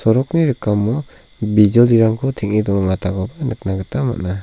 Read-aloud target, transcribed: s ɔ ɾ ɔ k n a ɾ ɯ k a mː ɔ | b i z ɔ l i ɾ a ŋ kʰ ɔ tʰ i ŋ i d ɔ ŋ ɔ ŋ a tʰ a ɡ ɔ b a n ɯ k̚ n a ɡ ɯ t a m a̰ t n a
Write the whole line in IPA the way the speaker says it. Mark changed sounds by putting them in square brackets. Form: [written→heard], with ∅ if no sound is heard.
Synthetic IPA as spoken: s ɔ ɾ ɔ k n [a→i] ɾ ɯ k a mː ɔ | b i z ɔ l i ɾ a ŋ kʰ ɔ tʰ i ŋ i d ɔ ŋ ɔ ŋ a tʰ a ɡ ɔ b a n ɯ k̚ n a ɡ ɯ t a m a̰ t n a